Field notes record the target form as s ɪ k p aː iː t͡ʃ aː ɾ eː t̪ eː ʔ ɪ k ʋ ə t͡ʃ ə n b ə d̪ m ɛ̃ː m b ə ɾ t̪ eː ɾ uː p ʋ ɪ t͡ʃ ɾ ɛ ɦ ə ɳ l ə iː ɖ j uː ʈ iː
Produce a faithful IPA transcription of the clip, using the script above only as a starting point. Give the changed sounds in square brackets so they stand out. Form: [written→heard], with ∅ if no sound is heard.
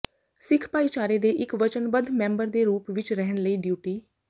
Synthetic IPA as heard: s ɪ [k→kʰ] p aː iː t͡ʃ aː ɾ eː [t̪→d̪] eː ʔ ɪ k ʋ ə t͡ʃ ə n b ə d̪ m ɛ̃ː m b ə ɾ [t̪→d̪] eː ɾ uː p ʋ ɪ t͡ʃ ɾ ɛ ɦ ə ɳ l ə iː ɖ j uː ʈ iː